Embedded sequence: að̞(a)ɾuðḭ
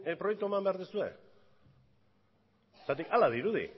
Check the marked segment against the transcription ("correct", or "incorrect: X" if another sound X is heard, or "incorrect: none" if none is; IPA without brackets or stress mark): incorrect: i